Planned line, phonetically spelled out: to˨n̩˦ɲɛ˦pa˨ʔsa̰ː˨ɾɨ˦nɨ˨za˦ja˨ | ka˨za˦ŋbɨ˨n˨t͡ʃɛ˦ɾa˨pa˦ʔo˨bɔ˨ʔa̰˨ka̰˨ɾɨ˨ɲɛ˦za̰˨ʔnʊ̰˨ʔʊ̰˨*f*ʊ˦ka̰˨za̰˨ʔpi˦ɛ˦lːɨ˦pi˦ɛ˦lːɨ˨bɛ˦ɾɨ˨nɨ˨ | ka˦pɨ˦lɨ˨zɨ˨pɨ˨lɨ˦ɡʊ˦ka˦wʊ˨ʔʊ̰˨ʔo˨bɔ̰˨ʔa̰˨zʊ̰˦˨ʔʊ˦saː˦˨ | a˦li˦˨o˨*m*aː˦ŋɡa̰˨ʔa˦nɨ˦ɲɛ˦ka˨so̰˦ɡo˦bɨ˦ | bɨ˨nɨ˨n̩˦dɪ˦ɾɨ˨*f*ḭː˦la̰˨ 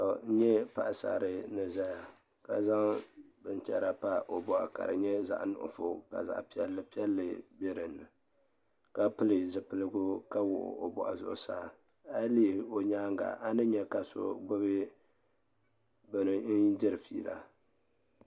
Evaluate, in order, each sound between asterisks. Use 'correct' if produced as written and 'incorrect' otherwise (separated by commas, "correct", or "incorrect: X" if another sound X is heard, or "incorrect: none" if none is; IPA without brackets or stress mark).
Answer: correct, incorrect: ɲ, correct